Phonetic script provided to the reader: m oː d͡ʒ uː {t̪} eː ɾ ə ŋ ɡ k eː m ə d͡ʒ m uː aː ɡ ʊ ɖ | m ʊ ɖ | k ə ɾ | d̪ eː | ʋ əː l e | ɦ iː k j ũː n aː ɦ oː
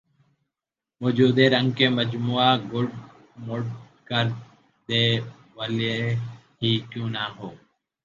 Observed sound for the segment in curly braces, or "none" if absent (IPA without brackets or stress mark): d̪